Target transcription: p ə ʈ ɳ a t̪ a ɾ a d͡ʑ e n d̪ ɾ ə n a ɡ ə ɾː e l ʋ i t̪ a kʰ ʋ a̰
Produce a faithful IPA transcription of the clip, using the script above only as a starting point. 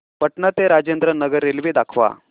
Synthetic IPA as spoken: p ə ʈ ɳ a t̪ e ɾ a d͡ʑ e n d̪ ɾ ə n ə ɡ ə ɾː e l ʋ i d̪ a kʰ ʋ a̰